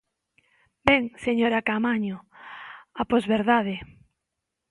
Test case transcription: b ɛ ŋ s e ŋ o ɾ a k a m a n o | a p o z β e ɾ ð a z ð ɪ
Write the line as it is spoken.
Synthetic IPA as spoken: b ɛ ŋ s e ɲ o ɾ a k a m a ɲ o | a p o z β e ɾ ð a ð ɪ